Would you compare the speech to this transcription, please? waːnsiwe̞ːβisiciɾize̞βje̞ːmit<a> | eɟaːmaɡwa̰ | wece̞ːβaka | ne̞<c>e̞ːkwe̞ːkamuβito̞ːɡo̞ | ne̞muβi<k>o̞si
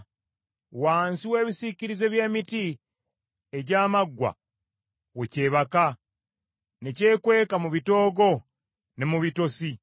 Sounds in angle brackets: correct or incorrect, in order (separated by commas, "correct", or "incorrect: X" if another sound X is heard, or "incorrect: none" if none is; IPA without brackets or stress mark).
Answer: incorrect: i, correct, incorrect: t